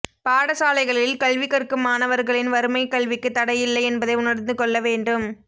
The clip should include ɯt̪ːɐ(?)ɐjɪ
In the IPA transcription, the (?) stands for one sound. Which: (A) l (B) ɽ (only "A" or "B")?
B